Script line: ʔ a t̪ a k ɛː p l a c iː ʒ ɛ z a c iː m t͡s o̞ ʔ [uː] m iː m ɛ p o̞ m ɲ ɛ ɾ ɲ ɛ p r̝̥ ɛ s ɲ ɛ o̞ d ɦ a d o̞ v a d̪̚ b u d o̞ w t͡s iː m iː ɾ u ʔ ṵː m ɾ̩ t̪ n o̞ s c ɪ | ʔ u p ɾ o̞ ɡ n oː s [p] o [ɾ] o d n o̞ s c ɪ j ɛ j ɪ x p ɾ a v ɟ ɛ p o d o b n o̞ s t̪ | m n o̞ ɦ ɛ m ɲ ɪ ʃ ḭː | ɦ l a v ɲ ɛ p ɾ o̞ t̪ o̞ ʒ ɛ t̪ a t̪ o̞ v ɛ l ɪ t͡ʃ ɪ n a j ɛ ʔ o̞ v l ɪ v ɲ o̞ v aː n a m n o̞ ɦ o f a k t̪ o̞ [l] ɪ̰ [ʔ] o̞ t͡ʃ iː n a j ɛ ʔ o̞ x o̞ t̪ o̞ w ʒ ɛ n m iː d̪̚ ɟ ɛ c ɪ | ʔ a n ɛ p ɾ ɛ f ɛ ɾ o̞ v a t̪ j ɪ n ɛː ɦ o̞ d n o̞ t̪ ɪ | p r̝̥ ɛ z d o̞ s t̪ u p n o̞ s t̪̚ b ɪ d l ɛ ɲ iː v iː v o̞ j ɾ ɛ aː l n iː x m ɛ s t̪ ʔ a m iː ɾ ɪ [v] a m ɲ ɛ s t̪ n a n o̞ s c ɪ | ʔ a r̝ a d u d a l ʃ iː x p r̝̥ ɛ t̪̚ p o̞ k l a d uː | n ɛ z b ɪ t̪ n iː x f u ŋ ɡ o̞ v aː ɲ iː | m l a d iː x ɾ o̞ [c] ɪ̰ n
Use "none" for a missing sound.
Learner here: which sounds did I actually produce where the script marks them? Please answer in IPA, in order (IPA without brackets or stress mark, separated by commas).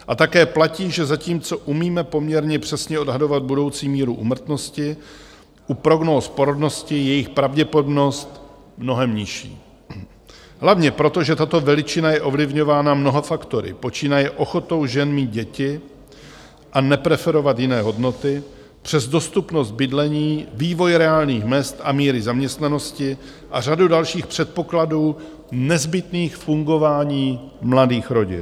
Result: u, p, ɾ, ɾ, p, z, ɟ